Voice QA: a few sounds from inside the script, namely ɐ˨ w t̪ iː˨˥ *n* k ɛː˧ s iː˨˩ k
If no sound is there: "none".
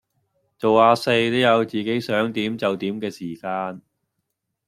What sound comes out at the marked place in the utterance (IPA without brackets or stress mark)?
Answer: m